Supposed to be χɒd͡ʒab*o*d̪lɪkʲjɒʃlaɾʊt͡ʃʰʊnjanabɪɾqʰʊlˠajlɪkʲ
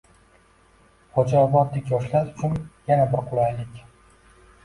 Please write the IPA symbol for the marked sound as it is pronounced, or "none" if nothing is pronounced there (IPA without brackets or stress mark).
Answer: ɒ